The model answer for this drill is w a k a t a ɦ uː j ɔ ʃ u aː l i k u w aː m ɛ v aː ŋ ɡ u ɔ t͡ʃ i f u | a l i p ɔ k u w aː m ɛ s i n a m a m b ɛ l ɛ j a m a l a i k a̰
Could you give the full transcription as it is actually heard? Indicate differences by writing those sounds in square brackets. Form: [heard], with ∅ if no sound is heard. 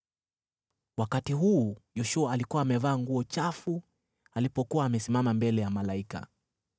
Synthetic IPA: w a k a t [i] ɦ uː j ɔ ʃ u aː l i k u w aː m ɛ v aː ŋ ɡ u ɔ t͡ʃ [a] f u | a l i p ɔ k u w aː m ɛ s i [m] a m a m b ɛ l ɛ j a m a l a i k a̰